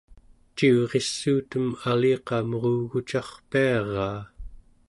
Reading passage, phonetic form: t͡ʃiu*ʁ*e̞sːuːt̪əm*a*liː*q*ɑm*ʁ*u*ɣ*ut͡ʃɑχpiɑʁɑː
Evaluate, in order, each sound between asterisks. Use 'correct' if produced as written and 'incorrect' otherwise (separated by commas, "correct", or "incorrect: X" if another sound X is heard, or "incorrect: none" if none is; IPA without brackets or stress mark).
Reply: correct, correct, correct, correct, correct